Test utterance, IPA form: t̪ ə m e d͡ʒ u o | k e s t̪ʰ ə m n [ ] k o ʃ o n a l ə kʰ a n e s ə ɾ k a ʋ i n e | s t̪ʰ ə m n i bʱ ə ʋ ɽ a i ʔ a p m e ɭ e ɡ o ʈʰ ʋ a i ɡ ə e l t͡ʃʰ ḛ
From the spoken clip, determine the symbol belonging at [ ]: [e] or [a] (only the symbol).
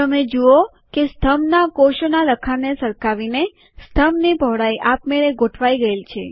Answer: a